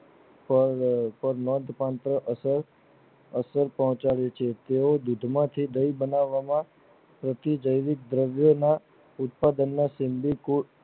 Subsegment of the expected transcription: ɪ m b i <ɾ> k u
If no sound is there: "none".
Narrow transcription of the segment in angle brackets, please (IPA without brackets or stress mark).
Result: none